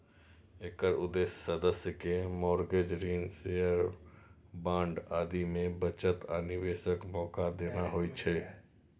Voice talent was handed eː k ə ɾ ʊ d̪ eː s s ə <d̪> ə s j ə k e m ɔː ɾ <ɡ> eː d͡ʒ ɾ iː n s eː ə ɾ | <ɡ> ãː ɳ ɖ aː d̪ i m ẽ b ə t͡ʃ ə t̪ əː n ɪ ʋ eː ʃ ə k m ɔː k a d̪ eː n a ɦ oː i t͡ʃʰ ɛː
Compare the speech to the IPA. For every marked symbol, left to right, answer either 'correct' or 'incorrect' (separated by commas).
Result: correct, correct, incorrect